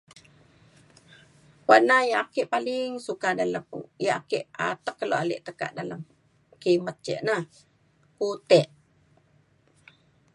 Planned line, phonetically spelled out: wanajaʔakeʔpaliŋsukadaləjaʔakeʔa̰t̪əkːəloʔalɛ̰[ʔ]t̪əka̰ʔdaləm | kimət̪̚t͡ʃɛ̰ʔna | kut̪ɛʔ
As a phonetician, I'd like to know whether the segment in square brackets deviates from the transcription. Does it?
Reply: no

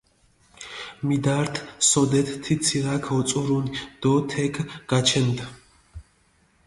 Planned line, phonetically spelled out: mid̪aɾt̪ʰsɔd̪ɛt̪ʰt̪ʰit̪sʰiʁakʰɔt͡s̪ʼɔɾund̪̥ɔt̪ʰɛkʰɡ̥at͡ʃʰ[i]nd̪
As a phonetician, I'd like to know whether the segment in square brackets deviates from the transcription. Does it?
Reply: yes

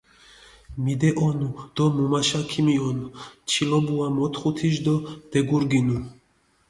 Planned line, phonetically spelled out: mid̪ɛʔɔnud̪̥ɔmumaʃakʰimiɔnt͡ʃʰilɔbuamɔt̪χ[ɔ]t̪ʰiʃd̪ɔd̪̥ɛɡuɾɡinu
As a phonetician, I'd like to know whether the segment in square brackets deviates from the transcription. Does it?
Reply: yes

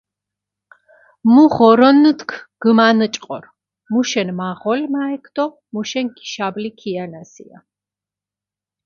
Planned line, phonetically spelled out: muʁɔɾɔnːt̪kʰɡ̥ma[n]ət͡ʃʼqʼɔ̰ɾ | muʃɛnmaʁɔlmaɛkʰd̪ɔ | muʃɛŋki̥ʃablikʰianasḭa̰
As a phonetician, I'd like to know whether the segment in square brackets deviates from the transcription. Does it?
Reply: no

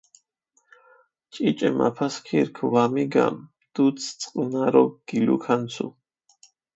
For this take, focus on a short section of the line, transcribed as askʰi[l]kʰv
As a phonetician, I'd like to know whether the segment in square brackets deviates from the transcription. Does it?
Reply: yes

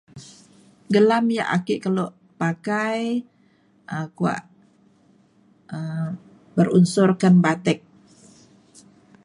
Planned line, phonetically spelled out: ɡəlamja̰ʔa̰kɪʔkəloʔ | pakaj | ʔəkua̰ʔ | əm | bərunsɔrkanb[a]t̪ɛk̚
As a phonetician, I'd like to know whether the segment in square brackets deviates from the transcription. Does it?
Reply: no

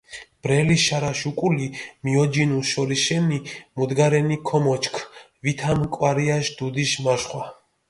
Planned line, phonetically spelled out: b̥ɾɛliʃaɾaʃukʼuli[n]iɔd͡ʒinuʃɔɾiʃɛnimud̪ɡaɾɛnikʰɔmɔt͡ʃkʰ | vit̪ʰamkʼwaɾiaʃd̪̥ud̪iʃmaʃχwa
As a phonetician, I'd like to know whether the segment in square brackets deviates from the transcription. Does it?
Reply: yes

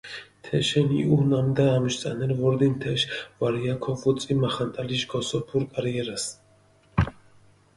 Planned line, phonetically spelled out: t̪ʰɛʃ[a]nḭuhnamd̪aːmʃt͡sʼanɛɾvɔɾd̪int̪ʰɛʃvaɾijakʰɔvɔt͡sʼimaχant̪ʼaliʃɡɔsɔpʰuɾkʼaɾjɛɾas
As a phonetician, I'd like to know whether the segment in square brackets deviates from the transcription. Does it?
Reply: yes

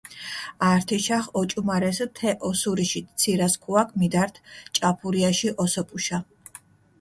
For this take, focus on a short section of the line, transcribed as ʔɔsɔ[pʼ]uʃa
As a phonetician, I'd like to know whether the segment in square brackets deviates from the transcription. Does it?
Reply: no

